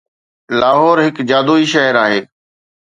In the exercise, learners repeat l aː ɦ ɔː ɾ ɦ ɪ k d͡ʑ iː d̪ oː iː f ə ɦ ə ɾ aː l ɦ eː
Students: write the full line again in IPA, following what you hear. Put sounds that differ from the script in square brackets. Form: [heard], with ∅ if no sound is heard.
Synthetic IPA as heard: l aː ɦ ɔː ɾ ɦ ɪ k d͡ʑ [aː] d̪ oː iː [ʃ] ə ɦ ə ɾ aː [∅] ɦ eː